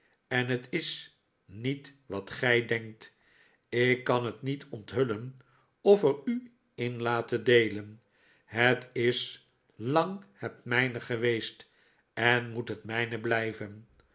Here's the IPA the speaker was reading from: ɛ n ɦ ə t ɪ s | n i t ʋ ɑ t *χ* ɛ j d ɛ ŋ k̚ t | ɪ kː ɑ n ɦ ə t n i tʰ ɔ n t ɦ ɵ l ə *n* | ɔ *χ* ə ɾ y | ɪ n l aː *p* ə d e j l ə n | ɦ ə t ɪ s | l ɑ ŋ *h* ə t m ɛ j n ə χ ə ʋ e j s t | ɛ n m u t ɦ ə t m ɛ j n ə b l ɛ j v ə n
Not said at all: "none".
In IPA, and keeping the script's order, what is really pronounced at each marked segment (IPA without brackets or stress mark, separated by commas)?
χ, n, f, t, h